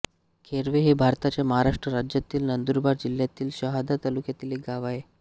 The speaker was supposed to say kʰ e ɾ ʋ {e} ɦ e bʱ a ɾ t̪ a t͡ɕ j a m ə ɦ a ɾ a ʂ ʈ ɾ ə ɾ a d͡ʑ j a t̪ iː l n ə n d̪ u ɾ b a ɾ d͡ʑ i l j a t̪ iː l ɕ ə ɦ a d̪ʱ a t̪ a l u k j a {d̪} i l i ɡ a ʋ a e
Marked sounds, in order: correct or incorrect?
correct, incorrect: t̪

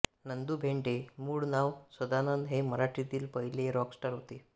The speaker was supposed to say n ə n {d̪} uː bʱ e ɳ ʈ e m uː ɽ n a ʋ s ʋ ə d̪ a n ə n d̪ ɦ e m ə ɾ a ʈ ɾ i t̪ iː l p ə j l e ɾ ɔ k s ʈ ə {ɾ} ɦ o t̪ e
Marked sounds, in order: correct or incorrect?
correct, correct

